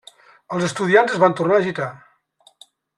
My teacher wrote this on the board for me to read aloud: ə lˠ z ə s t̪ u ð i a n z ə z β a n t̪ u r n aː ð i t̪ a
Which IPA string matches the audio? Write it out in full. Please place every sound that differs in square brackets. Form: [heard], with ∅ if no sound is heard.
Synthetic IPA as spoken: ə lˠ z ə s t̪ u ð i a n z ə z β a n t̪ u r n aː [ʒ] i t̪ a